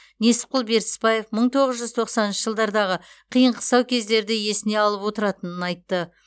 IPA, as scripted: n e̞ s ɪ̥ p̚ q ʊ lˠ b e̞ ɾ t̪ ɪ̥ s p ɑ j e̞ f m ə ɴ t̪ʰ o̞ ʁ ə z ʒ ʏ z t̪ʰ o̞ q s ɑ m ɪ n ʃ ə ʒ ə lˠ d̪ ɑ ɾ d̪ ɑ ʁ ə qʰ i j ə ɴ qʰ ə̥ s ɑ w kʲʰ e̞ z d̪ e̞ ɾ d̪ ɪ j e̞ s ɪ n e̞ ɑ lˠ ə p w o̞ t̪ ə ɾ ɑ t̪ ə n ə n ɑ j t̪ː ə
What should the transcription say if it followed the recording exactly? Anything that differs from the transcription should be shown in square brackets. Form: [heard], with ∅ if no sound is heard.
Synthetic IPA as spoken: n e̞ s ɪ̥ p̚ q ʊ lˠ b e̞ ɾ t̪ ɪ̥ s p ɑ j e̞ f m ə ɴ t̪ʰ o̞ ʁ ə z ʒ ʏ z t̪ʰ o̞ q s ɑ [n] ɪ n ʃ ə ʒ ə lˠ d̪ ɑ ɾ d̪ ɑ ʁ ə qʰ i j ə ɴ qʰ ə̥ s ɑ w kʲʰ e̞ z d̪ e̞ ɾ d̪ ɪ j e̞ s ɪ n e̞ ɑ lˠ ə p w o̞ t̪ ə ɾ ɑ t̪ ə n ə n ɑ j t̪ː ə

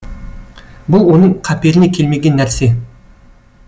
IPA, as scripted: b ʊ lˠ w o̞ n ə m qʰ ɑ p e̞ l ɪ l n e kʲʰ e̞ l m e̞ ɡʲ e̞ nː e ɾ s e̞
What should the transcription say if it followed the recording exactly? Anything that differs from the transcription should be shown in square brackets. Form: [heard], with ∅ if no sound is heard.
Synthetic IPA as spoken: b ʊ lˠ w o̞ n ə [ɴ] qʰ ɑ p e̞ [ɾ] ɪ [∅] n e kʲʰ e̞ l m e̞ ɡʲ e̞ nː [æ] ɾ s e̞

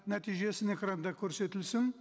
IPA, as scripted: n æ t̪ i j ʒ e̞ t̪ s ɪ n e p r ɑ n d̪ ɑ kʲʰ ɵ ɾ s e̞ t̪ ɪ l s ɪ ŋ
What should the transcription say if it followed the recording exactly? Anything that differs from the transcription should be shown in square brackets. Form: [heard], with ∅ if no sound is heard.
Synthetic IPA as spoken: n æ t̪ i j ʒ e̞ [∅] s ɪ n e [k] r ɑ n d̪ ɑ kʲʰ ɵ ɾ s e̞ t̪ ɪ l s ɪ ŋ

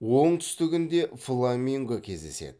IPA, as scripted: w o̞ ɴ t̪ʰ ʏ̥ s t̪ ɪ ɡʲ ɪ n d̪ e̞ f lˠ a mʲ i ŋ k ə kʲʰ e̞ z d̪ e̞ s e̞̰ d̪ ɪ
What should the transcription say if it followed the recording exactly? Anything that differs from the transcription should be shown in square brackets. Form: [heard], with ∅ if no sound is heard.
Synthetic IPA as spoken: w o̞ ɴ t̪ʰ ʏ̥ s t̪ ɪ ɡʲ ɪ n d̪ e̞ f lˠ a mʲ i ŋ [ɡ] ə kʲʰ e̞ z d̪ e̞ s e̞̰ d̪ ɪ

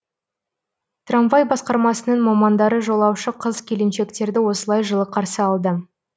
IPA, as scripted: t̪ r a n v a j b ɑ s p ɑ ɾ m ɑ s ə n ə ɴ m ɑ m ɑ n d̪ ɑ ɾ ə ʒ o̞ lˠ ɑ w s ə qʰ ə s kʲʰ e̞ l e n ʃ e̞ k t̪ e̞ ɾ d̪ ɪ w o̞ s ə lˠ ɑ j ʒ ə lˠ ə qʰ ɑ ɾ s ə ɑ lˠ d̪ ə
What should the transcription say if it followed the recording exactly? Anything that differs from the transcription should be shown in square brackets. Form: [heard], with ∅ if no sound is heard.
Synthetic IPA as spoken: t̪ r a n v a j b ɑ s [q] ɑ ɾ m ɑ s ə n ə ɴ m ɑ m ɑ n d̪ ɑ ɾ ə ʒ o̞ lˠ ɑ w [ʃ] ə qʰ ə [z] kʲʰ e̞ l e n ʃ e̞ k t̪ e̞ ɾ d̪ ɪ w o̞ s ə lˠ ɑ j ʒ ə lˠ ə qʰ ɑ ɾ s ə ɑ lˠ d̪ ə

